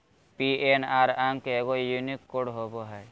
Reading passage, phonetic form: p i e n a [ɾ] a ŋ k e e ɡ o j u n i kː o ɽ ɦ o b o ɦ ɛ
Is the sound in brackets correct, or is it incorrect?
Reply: correct